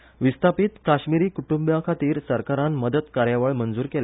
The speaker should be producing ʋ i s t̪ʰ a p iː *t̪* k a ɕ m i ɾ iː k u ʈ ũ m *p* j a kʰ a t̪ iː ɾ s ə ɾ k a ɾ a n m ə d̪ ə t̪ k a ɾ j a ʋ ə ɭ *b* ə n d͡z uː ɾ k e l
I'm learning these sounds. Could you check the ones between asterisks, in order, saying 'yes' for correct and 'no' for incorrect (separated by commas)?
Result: yes, no, no